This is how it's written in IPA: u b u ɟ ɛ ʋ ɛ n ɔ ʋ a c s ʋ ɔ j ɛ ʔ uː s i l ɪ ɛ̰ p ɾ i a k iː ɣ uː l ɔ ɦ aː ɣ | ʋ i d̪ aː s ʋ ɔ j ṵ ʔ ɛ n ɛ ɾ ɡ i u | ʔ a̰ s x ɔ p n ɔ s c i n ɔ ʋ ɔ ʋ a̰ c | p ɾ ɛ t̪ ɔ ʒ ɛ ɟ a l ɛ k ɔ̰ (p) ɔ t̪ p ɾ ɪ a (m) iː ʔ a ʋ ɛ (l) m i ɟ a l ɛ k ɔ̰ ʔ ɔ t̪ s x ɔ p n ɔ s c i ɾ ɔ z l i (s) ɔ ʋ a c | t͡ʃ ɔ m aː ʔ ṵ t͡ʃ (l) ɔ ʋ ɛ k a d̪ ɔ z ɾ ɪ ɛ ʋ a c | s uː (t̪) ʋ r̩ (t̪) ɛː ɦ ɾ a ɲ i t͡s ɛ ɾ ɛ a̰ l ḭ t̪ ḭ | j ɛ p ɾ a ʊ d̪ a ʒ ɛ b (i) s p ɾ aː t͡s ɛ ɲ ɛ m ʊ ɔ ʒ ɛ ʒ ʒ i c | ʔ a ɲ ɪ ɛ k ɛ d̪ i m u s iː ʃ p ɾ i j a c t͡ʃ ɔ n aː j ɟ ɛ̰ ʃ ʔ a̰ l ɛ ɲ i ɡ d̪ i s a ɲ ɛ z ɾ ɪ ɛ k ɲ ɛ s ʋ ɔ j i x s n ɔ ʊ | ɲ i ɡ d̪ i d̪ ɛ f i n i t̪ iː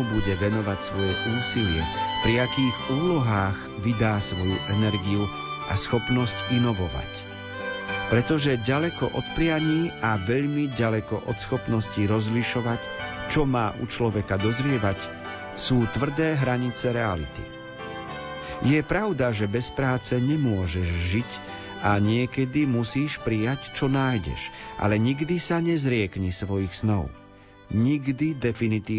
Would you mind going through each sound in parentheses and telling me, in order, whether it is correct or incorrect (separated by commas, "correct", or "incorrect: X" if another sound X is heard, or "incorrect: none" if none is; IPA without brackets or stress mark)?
incorrect: ʔ, incorrect: ɲ, incorrect: ʎ, incorrect: ʃ, correct, correct, incorrect: d̪, incorrect: ɛ